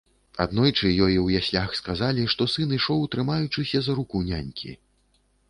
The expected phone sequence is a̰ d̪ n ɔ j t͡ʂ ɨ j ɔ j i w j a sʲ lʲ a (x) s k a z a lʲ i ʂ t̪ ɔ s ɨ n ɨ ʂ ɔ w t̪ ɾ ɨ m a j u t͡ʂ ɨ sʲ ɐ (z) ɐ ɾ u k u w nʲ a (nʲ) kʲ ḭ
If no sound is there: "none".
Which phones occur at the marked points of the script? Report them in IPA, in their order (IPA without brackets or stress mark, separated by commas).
x, z, nʲ